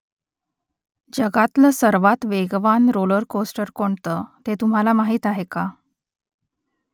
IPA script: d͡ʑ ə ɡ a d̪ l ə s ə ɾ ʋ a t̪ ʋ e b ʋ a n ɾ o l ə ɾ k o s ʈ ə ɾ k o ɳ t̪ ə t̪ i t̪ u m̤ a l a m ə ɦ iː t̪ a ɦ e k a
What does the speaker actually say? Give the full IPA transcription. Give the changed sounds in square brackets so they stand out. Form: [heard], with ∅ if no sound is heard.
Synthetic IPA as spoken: d͡ʑ ə ɡ a [t̪] l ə s ə ɾ ʋ a t̪ ʋ e [ɡ] ʋ a n ɾ o l ə ɾ k o s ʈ ə ɾ k o ɳ t̪ ə t̪ [e] t̪ u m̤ a l a m [a] ɦ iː t̪ a ɦ e k a